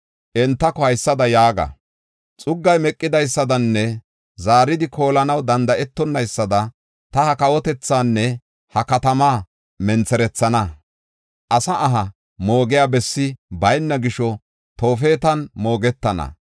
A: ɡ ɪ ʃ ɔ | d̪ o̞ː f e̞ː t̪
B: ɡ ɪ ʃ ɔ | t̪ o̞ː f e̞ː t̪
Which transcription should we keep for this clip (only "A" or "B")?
B